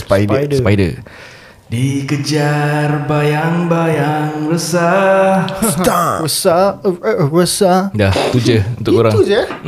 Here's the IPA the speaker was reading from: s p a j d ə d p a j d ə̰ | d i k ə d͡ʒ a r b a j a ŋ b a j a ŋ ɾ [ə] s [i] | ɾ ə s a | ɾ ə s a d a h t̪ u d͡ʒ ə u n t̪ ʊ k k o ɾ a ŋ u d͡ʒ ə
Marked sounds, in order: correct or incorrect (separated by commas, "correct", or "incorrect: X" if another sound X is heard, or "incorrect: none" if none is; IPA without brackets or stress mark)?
correct, incorrect: a